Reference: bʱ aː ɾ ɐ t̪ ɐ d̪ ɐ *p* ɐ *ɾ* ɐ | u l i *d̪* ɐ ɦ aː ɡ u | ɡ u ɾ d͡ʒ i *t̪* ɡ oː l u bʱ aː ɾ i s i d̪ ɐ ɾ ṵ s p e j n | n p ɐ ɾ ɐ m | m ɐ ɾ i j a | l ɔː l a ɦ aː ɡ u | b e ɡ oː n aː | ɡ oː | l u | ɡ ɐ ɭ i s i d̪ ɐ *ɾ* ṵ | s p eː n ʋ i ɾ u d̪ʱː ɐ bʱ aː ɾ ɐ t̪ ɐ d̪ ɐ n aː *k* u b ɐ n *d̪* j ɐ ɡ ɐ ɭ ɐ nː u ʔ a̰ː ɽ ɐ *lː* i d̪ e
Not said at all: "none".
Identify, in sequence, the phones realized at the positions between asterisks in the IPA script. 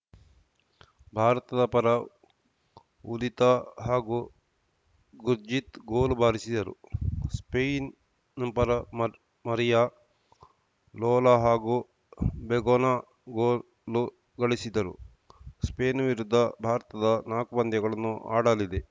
p, ɾ, t̪, t̪, ɾ, k, d̪, l

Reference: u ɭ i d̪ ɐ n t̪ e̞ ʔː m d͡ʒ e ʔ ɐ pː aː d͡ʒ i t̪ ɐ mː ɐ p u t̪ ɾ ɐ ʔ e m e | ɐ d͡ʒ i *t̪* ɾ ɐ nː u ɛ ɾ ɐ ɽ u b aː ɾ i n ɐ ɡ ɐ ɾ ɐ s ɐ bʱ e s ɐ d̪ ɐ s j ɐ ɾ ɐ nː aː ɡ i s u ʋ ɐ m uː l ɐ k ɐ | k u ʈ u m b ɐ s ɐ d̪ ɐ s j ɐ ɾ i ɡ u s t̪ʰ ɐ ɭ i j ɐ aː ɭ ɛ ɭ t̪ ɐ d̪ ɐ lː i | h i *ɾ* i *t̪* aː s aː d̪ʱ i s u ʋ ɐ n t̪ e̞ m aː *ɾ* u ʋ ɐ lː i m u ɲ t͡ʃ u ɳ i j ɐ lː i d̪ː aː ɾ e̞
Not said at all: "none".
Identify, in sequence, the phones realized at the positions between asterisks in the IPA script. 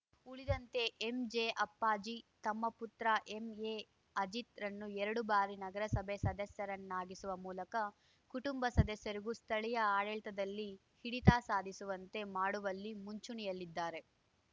t̪, ɽ, t̪, ɽ

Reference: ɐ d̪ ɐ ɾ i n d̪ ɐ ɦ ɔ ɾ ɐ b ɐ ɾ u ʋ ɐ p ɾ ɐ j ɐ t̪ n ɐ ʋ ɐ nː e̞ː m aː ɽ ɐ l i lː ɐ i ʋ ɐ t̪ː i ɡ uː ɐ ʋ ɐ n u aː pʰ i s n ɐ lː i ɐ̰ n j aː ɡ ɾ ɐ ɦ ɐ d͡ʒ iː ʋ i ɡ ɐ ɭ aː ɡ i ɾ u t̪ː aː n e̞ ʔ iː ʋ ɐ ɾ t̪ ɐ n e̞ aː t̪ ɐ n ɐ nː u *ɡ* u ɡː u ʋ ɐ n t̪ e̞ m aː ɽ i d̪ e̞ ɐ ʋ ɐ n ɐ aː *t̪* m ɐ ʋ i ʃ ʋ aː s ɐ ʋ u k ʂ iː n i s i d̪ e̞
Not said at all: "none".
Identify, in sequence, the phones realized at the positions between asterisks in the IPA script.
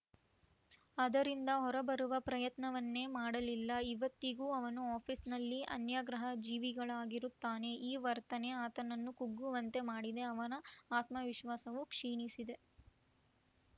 k, t̪

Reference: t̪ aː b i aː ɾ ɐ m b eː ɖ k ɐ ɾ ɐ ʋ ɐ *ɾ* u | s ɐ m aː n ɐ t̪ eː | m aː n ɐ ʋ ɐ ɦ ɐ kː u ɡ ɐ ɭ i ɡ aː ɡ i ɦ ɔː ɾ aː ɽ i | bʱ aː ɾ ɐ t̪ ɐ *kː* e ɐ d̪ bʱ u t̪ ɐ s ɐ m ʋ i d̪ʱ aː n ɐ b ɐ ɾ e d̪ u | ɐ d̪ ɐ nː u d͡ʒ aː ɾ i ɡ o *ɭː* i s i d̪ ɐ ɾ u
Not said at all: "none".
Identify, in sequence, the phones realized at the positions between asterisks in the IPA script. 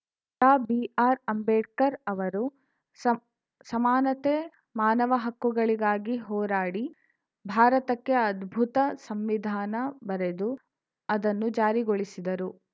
ɾ, kː, ɭ

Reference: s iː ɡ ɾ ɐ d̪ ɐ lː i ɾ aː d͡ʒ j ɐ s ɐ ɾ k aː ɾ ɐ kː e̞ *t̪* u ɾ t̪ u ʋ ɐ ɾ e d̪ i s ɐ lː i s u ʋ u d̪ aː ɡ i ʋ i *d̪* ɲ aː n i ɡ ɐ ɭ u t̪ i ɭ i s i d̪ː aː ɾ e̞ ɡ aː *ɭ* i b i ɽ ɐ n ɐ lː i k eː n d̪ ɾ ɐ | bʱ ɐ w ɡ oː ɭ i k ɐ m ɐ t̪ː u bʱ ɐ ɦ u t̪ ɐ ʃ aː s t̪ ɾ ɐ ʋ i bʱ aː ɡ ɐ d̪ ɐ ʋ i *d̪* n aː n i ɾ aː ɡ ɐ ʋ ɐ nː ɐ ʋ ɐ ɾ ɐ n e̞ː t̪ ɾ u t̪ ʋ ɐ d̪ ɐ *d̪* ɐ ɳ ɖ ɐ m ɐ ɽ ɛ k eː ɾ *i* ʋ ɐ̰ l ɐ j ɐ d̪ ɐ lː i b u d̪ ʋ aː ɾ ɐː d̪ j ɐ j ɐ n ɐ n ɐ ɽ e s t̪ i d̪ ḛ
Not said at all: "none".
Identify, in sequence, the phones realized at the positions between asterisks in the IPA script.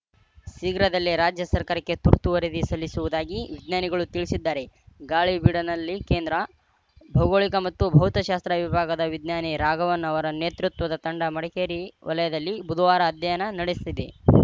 t̪, d̪, ɭ, d̪, t̪, i

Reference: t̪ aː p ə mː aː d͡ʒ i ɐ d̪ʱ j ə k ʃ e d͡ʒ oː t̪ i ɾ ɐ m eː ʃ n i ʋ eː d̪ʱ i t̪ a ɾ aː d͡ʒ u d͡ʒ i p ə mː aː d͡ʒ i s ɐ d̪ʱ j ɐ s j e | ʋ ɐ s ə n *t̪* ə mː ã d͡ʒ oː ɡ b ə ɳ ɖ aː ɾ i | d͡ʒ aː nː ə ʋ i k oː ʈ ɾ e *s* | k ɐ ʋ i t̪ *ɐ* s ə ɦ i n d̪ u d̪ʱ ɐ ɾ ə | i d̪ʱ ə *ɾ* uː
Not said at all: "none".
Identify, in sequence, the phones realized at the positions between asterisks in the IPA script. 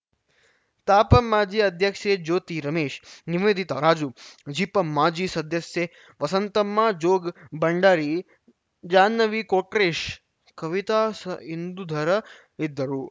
t̪, ʃ, a, ɾ

